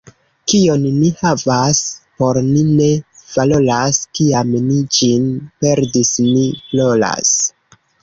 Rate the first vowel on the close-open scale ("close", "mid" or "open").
close